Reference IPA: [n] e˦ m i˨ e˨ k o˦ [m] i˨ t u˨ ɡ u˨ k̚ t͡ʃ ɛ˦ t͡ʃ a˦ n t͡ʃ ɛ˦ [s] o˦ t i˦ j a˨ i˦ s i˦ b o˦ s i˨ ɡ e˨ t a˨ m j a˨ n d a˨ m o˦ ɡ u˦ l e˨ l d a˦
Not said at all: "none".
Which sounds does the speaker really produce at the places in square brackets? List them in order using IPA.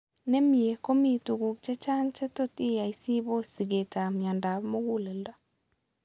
n, m, t

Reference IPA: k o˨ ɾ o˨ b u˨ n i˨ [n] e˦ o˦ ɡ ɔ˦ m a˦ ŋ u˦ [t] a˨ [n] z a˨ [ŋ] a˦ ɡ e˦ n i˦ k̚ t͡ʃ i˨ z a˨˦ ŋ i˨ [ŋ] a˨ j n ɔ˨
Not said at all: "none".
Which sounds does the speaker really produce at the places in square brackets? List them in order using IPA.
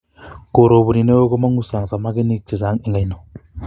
n, s, ŋ, m, ŋ

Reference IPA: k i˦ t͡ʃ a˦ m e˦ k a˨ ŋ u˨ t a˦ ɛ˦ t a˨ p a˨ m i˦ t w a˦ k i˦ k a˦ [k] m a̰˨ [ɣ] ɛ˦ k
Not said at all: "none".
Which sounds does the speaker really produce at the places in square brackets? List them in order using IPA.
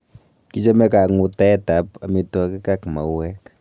k, w

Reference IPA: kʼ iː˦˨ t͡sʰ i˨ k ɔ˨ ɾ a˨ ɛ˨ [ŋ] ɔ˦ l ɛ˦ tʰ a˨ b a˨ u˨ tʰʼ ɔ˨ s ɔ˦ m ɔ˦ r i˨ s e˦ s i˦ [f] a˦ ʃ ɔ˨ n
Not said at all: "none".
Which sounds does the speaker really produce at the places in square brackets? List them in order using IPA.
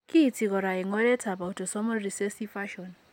ŋ, f

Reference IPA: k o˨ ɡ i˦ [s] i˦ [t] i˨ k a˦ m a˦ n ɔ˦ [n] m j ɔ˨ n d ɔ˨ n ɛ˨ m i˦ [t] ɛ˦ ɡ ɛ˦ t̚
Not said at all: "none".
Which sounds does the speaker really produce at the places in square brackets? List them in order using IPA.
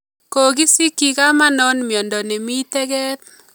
s, k, n, t

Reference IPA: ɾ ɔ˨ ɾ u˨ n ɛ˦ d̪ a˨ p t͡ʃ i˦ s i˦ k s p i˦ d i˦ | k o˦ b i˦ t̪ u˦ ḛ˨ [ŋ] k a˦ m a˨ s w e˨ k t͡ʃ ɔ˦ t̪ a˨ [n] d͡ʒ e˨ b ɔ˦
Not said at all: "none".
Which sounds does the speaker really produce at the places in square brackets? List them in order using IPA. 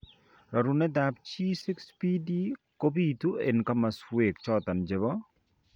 n, n

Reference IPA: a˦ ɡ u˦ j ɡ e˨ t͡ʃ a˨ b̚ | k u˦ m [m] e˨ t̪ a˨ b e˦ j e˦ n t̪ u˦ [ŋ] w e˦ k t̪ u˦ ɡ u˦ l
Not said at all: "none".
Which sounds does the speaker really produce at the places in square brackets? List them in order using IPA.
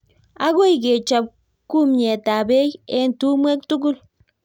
ɲ, m

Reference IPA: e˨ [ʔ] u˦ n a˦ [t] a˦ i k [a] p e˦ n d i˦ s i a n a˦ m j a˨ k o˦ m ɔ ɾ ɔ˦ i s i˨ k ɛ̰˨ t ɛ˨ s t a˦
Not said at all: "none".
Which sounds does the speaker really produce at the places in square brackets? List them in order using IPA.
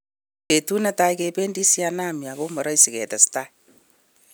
t, t, e

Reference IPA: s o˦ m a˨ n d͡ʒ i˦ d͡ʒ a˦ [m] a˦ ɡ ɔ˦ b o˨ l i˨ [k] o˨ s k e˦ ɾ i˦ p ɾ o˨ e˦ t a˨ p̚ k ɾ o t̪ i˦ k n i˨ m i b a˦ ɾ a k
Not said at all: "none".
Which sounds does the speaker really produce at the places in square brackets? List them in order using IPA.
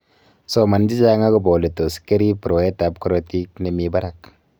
ŋ, t

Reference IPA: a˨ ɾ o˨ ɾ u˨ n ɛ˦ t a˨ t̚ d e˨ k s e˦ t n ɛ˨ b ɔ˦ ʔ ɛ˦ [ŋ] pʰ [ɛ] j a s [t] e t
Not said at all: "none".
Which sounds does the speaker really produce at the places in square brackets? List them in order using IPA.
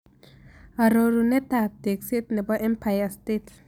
m, a, t

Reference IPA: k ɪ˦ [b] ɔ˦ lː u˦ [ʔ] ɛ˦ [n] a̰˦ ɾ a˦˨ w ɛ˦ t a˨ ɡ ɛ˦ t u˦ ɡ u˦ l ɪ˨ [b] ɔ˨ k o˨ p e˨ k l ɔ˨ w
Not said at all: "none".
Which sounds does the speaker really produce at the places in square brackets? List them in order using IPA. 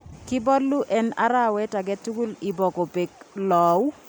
b, ʔ, n, b

